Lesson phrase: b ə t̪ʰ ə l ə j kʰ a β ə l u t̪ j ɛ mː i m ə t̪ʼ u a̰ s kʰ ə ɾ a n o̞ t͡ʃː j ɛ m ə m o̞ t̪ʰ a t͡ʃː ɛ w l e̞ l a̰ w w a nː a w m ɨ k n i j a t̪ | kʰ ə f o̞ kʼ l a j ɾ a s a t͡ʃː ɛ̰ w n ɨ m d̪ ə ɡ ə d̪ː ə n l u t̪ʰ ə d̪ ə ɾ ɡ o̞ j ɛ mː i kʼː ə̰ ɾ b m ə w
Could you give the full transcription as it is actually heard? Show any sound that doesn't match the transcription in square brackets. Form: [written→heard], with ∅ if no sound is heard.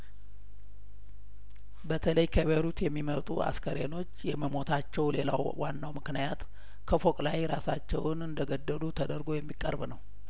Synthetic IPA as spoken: b ə t̪ʰ ə l ə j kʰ [a→ə] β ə [l→ɾ] u t̪ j ɛ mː i m ə t̪ʼ u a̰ s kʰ ə ɾ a n o̞ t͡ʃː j ɛ m ə m o̞ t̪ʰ a t͡ʃː ɛ w l e̞ l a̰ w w a nː a w m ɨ k n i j a t̪ | kʰ ə f o̞ kʼ l a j ɾ a s a t͡ʃː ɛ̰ w n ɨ [m→n] d̪ ə ɡ ə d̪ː ə [n→∅] l u t̪ʰ ə d̪ ə ɾ ɡ o̞ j ɛ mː i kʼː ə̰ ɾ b [m→n] ə w